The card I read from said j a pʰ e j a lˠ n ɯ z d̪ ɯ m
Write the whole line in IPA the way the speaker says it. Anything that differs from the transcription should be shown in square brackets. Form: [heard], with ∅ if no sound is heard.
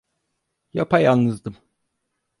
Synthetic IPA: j a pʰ [a] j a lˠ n ɯ z d̪ ɯ m